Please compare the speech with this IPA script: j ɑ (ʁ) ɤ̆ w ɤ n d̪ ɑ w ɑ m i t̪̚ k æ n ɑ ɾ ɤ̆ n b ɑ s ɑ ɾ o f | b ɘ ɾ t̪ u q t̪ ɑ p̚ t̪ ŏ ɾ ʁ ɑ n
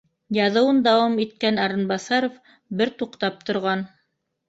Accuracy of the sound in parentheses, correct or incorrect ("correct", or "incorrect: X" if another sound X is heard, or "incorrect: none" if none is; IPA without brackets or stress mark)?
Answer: incorrect: ð